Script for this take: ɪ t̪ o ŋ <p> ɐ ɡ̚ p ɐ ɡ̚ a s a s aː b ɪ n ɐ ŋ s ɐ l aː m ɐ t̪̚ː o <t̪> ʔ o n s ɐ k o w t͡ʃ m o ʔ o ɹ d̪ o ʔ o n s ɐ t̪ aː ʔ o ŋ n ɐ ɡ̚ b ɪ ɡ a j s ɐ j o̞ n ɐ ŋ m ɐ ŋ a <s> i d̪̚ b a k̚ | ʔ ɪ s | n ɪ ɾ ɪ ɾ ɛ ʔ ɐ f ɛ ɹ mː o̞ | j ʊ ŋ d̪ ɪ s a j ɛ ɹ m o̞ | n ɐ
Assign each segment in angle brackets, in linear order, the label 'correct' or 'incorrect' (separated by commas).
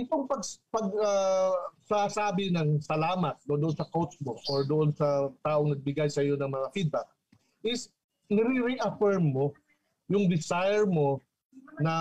correct, incorrect, incorrect